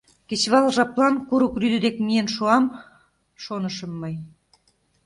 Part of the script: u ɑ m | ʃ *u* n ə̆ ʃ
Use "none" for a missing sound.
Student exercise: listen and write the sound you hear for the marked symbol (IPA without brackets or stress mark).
o